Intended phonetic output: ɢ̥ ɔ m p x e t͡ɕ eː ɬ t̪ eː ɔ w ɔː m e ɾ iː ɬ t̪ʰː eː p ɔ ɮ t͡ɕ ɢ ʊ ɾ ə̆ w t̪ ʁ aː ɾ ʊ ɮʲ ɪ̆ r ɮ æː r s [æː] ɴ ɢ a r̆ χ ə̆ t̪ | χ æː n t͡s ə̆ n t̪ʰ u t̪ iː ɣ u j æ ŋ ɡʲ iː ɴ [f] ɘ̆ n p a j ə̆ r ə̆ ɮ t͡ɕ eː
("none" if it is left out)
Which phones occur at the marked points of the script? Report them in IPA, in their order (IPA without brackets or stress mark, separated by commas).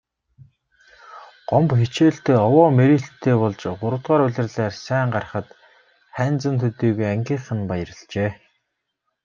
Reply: æː, χ